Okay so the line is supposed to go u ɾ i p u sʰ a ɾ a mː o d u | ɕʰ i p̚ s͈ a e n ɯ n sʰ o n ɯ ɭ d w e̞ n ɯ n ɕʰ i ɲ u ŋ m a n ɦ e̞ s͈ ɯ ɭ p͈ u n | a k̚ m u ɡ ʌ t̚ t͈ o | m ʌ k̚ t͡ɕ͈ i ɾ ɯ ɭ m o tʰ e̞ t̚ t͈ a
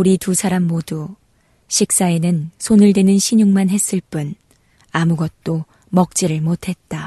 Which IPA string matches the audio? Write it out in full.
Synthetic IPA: u ɾ i t u sʰ a ɾ a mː o d u | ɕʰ i k̚ s͈ a e n ɯ n sʰ o n ɯ ɭ d w e̞ n ɯ n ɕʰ i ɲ u ŋ m a n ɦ e̞ s͈ ɯ ɭ p͈ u n | a m u ɡ ʌ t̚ t͈ o | m ʌ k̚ t͡ɕ͈ i ɾ ɯ ɭ m o tʰ e̞ t̚ t͈ a